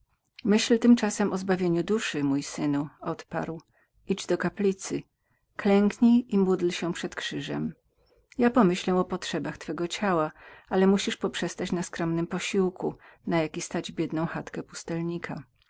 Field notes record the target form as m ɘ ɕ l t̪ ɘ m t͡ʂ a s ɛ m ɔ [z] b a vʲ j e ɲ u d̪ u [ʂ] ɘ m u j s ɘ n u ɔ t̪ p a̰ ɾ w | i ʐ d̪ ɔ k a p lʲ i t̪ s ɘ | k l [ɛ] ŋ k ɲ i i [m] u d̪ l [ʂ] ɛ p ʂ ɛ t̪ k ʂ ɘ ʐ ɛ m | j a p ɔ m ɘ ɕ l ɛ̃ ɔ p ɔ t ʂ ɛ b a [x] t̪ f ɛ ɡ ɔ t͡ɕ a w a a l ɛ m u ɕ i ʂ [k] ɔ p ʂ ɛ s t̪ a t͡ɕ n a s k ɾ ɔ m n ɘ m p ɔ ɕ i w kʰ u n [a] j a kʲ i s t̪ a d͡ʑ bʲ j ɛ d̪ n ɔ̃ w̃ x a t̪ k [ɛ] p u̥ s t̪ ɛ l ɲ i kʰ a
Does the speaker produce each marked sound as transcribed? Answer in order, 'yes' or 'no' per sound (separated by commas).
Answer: yes, yes, yes, yes, no, yes, no, yes, yes